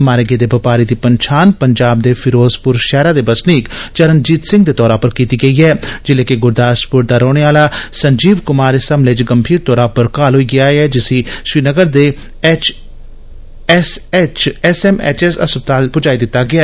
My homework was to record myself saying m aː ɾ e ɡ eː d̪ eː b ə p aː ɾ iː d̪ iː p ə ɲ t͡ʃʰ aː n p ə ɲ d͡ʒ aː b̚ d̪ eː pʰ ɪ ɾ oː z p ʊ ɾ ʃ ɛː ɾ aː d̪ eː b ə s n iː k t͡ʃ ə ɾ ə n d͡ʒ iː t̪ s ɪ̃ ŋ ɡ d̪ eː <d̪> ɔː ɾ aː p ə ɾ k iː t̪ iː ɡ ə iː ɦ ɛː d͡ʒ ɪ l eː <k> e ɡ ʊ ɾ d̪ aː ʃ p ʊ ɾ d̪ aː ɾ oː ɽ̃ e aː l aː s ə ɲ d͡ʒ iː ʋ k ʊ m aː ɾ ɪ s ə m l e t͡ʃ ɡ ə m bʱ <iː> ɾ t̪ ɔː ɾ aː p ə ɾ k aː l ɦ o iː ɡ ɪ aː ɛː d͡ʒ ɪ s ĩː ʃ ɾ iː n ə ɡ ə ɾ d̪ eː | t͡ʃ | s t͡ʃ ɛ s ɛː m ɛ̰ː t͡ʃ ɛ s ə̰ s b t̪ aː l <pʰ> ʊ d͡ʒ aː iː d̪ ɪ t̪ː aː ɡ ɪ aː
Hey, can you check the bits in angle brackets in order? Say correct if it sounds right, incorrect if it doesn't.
incorrect, correct, correct, incorrect

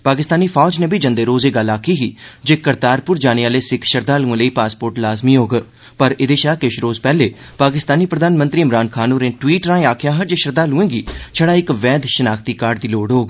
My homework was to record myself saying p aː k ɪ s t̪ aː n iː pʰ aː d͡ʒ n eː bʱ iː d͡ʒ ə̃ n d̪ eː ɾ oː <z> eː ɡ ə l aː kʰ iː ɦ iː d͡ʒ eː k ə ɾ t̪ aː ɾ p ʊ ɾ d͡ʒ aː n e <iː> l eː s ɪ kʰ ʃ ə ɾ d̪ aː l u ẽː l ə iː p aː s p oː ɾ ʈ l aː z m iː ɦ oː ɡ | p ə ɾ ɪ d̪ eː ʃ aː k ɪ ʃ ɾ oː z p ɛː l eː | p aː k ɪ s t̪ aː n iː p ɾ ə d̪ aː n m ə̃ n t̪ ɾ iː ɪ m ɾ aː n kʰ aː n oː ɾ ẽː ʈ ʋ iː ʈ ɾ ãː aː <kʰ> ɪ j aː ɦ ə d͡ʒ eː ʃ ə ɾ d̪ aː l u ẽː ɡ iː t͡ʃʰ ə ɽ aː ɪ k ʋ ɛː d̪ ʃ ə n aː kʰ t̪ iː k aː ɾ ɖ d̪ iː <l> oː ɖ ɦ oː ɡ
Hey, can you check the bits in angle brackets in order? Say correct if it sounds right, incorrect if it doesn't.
correct, incorrect, correct, correct

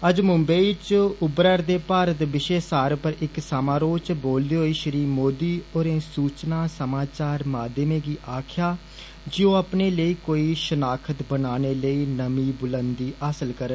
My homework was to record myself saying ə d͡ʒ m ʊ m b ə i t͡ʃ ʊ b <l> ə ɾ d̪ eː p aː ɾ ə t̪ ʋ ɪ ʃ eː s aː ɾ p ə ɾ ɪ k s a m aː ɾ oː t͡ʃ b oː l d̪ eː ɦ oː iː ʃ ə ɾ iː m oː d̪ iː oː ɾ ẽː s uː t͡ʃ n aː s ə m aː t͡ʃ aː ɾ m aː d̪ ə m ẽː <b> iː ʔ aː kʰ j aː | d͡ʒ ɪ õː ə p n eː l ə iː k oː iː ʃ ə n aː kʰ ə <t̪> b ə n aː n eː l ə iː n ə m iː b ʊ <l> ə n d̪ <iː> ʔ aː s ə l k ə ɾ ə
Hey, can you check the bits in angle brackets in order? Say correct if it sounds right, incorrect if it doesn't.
incorrect, incorrect, correct, correct, correct

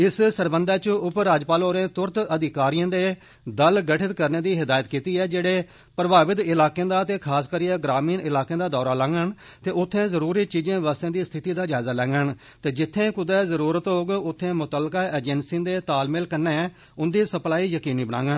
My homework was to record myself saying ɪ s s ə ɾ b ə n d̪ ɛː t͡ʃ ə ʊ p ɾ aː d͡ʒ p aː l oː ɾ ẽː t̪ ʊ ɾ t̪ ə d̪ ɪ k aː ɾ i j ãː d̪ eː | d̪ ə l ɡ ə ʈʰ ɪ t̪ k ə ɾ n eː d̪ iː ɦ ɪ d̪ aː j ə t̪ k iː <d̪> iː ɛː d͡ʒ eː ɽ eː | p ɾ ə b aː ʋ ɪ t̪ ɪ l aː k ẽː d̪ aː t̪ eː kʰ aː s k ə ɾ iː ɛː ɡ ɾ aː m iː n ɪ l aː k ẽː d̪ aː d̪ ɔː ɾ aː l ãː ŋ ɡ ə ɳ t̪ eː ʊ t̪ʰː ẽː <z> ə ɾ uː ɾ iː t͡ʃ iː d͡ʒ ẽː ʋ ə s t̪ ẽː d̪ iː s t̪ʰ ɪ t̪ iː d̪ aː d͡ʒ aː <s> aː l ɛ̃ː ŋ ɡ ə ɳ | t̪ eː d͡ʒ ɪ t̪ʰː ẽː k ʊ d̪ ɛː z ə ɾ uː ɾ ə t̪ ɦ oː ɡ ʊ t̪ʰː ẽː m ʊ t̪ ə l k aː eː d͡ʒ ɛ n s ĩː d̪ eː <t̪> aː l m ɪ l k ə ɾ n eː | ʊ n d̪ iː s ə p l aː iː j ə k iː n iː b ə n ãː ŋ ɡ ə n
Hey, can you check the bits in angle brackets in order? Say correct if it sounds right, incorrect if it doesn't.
incorrect, correct, incorrect, correct

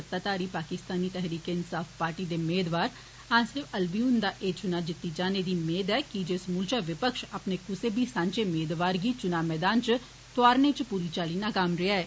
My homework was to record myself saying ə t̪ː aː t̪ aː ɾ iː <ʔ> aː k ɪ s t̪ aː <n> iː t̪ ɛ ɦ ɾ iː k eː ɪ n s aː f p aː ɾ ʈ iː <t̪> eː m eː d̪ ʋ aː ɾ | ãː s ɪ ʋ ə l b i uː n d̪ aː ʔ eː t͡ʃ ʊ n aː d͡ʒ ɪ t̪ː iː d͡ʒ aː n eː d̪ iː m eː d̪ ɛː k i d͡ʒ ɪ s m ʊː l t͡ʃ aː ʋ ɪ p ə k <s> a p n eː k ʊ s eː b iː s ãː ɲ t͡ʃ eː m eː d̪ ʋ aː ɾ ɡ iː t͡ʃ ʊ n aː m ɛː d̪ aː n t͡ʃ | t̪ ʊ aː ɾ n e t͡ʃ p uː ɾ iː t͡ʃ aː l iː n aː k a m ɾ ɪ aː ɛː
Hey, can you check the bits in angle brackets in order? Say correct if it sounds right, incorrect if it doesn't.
incorrect, correct, incorrect, incorrect

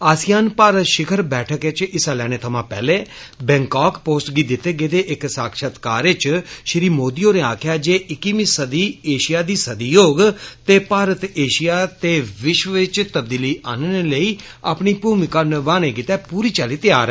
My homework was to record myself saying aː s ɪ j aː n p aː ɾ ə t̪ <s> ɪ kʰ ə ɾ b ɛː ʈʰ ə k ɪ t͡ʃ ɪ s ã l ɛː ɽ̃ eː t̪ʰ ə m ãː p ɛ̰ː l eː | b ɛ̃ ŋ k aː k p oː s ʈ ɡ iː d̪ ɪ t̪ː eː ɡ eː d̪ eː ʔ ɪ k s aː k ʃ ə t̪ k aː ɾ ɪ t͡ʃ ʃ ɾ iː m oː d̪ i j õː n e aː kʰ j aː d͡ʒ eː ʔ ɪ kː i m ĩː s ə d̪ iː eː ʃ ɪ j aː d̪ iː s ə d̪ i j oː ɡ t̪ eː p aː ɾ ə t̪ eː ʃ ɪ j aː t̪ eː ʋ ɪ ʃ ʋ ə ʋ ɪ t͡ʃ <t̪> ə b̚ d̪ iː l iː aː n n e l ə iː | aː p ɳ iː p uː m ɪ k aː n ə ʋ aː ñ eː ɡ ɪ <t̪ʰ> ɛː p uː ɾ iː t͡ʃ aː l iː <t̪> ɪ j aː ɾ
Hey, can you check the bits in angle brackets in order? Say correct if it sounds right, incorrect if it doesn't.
incorrect, correct, incorrect, correct

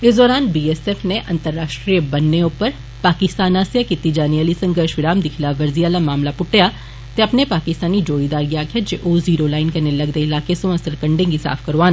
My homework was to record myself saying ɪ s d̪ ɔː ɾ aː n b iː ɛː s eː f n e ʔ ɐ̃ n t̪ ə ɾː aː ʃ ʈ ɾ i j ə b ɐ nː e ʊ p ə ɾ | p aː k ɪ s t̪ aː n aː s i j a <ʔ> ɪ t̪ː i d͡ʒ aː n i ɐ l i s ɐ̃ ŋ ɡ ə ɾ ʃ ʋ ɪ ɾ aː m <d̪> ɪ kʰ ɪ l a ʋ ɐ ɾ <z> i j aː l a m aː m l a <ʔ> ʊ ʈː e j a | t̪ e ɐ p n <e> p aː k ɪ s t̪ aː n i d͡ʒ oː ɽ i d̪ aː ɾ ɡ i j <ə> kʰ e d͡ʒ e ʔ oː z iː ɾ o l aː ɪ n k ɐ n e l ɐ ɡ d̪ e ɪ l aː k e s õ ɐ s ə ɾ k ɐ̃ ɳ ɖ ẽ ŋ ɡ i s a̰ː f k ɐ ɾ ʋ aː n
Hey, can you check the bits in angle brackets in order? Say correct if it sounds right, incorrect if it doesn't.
incorrect, correct, correct, incorrect, correct, incorrect

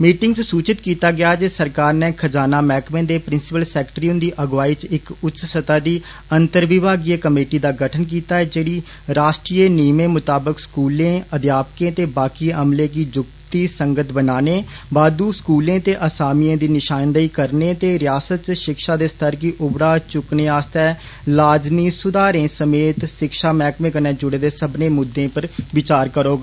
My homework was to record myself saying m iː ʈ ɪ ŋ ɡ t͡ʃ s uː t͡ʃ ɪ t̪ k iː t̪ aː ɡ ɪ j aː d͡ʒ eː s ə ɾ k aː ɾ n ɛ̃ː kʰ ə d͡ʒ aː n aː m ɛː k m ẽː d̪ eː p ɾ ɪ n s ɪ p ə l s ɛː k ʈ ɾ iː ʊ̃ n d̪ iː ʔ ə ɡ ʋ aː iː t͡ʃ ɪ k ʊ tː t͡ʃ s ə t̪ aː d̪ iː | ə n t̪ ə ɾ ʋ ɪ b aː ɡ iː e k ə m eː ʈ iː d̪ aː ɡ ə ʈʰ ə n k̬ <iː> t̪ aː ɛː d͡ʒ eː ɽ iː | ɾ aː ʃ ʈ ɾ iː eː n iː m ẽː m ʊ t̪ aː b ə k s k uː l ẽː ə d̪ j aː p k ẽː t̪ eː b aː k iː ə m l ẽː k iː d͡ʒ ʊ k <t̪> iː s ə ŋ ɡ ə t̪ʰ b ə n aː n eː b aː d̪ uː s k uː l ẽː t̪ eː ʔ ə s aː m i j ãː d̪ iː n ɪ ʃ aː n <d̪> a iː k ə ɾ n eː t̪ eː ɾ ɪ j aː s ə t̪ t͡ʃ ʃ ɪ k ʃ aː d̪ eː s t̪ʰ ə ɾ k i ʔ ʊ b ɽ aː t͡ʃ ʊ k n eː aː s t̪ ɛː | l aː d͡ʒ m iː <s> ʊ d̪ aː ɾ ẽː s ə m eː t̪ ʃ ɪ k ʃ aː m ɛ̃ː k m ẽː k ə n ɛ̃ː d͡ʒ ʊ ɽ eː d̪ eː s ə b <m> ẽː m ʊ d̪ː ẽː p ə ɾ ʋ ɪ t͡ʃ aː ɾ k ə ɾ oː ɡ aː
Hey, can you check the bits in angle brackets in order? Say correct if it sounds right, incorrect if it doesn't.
correct, correct, correct, correct, incorrect

